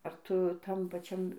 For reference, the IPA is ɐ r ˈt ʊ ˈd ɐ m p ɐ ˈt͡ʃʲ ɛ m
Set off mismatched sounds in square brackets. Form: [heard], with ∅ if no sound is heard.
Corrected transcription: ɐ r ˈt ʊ [ˈt] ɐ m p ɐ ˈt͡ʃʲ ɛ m